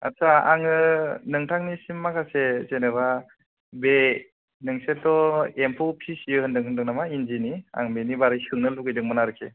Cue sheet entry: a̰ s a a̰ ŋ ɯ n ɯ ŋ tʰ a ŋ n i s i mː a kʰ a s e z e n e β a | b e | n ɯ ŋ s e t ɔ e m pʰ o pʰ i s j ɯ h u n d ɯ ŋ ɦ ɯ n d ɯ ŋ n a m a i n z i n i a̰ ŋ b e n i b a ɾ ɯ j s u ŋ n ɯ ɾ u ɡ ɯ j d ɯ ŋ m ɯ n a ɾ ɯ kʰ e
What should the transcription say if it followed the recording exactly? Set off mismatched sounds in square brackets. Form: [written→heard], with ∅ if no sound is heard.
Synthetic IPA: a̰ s a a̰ ŋ ɯ n ɯ ŋ tʰ a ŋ n i s i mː a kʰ a s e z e n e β a | b e | n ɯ ŋ s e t ɔ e m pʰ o pʰ i s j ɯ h [u→ɯ] n d ɯ ŋ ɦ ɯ n d ɯ ŋ n a m a i n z i n i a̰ ŋ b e n i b a ɾ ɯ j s [u→ɯ] ŋ n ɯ [ɾ→l] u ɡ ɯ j d ɯ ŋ m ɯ n a ɾ ɯ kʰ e